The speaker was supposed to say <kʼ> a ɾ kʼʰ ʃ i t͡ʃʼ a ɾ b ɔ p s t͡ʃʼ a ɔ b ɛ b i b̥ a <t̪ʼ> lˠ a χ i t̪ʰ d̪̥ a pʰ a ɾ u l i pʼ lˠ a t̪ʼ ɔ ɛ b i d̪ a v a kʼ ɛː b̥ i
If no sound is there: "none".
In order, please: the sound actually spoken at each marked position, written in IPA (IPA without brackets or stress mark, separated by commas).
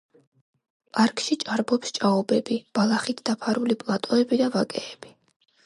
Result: pʼ, none